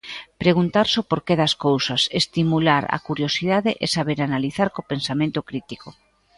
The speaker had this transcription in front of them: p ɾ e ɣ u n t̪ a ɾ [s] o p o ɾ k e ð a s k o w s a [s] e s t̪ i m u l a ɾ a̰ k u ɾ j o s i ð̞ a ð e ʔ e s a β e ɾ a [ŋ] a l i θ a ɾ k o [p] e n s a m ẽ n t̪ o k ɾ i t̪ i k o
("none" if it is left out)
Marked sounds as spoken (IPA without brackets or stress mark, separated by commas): s, s, n, p